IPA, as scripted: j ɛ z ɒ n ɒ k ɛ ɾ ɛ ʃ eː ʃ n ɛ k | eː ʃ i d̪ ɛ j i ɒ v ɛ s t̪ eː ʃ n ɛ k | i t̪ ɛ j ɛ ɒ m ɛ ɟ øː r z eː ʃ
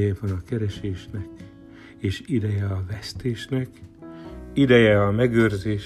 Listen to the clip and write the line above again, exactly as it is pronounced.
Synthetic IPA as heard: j ɛ v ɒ n ɒ k ɛ ɾ ɛ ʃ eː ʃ n ɛ k | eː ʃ i d̪ ɛ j ɛ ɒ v ɛ s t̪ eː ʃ n ɛ k | i d̪ ɛ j ɛ ɒ m ɛ ɡ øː r z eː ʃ